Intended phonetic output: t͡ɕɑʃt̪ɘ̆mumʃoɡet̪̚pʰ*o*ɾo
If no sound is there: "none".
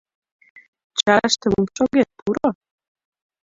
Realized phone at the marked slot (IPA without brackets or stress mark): u